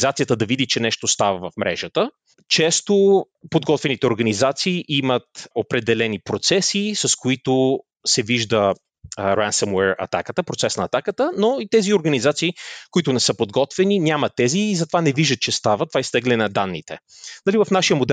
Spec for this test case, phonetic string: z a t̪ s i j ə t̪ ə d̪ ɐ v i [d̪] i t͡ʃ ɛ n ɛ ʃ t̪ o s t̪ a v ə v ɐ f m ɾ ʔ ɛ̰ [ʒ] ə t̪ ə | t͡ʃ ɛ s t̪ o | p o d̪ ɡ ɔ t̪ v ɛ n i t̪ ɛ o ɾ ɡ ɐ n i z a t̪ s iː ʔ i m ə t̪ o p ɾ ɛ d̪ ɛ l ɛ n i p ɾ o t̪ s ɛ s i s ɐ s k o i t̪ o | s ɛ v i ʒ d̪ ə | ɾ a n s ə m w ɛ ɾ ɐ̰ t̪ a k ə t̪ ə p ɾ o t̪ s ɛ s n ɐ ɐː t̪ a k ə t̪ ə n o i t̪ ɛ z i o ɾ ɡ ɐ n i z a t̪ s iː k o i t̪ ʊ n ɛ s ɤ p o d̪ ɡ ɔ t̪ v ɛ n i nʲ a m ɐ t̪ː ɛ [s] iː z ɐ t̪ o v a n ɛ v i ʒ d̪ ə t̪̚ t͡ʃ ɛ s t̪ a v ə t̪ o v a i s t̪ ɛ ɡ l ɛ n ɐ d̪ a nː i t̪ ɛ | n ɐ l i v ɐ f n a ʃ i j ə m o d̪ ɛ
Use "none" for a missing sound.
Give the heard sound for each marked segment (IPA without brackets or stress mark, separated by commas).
d̪, ʒ, z